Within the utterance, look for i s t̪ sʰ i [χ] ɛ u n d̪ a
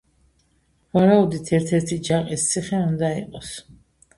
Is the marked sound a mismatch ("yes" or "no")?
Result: no